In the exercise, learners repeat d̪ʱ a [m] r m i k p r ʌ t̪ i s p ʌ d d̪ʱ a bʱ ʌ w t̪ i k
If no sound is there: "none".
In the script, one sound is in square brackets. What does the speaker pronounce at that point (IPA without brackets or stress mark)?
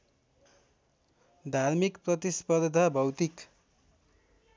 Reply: none